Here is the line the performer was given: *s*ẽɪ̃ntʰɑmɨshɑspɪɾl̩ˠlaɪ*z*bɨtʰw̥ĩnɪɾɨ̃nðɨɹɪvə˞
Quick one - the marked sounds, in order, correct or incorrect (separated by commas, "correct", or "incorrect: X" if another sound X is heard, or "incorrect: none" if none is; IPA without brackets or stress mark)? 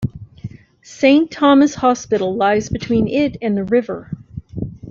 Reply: correct, correct